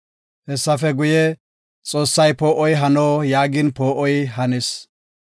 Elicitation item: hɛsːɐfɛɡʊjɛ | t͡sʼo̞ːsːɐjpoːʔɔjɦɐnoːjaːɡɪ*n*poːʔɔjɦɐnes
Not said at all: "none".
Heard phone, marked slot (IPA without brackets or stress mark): n